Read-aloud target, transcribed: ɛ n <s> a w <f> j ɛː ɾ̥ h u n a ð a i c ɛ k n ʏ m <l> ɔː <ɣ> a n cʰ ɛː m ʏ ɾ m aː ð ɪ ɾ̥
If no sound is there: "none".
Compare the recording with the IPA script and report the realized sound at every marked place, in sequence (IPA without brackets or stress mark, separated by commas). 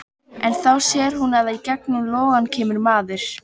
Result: θ, s, l, ɣ